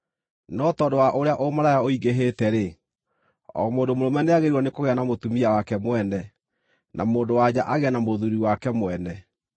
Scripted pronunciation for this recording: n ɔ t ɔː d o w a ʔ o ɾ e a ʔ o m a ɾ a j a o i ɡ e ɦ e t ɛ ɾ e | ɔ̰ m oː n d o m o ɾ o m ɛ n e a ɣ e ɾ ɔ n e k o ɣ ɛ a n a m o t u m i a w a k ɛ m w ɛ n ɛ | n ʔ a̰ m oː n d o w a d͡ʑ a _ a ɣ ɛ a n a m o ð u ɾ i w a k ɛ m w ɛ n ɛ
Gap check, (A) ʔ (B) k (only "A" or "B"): A